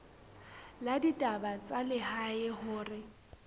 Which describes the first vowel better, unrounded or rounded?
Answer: unrounded